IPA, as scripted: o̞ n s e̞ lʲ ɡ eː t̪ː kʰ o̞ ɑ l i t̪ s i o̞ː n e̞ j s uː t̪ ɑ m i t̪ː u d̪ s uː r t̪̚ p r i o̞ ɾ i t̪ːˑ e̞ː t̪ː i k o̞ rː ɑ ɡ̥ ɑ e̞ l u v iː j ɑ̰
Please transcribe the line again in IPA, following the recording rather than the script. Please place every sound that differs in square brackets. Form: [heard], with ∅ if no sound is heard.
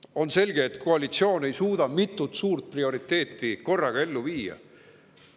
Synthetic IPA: o̞ n s e̞ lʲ ɡ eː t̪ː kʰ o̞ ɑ l i t̪ s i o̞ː n e̞ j s uː [d̪] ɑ m i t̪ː u [t̪] s uː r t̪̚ p r i o̞ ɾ i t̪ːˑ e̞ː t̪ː i k o̞ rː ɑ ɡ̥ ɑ e̞ [lː] u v iː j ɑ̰